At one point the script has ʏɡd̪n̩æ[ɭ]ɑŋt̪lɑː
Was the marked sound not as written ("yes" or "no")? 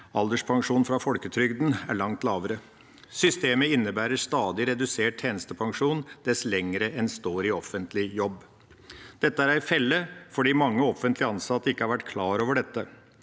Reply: no